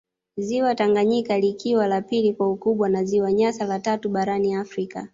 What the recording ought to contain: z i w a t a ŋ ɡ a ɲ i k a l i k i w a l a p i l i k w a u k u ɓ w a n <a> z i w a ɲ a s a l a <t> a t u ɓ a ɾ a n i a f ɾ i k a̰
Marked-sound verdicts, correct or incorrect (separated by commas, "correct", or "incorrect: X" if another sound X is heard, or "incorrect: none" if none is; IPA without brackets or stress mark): correct, correct